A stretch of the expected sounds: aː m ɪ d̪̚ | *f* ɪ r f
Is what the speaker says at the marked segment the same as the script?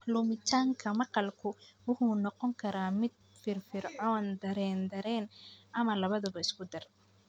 yes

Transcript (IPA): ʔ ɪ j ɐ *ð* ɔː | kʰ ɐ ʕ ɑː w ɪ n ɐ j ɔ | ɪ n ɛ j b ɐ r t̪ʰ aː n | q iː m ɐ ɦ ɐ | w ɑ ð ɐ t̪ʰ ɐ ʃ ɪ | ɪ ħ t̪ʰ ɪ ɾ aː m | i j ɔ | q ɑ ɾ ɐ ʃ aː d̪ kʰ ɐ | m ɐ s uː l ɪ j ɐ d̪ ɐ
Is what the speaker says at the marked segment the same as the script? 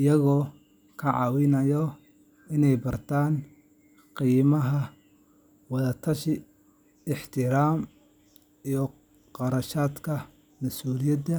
no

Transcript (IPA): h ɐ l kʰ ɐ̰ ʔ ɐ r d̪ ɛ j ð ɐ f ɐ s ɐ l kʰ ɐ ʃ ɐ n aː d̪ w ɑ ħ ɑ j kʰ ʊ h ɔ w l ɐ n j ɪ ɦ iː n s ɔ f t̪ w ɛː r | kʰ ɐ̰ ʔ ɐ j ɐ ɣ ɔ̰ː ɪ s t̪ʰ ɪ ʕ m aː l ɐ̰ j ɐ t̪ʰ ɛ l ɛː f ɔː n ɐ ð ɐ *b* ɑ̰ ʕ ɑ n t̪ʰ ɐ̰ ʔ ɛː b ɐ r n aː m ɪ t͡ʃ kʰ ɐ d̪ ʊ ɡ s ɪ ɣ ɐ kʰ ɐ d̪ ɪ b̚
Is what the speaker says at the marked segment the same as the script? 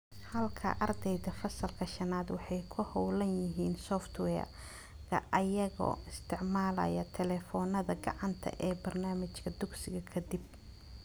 no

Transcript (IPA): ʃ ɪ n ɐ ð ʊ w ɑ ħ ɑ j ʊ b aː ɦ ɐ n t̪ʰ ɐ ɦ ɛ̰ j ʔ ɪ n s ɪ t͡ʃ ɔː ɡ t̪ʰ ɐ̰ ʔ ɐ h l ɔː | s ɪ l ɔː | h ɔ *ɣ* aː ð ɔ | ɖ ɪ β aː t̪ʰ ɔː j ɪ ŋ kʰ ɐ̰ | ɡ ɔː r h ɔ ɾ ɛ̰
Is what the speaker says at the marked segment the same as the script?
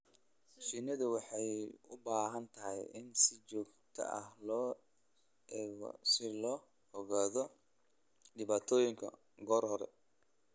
yes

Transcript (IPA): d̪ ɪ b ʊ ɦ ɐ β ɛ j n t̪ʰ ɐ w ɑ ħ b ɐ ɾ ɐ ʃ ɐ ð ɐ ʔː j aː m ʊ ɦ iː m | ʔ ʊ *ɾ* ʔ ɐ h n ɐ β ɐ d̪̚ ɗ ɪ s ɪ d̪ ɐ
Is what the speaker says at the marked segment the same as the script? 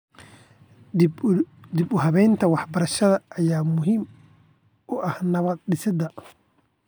no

